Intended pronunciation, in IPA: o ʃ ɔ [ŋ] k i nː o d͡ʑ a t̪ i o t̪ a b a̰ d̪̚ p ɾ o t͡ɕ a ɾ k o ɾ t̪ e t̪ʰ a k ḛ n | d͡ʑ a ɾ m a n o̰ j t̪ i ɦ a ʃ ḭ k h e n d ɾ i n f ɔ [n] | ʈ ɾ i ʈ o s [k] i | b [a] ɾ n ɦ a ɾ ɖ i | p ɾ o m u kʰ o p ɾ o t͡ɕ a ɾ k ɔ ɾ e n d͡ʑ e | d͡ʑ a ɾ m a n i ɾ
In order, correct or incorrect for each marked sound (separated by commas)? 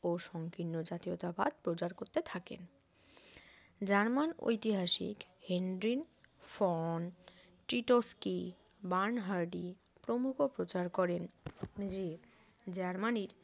correct, correct, correct, correct